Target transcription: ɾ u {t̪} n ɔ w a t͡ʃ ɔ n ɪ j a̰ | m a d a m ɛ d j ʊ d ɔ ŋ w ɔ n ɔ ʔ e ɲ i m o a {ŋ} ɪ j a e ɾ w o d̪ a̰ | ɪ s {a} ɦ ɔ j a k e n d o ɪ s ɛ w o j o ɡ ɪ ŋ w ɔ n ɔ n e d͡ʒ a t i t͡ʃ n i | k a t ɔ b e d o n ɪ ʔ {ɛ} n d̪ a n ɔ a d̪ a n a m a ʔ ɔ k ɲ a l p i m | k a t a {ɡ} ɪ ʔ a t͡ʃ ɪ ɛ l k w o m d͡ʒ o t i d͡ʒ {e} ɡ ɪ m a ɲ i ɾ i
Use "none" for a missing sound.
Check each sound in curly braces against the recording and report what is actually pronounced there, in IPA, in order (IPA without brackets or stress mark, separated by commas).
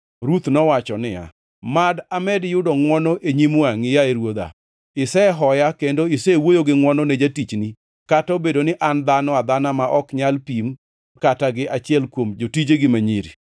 t̪, ŋ, ɛ, a, ɡ, e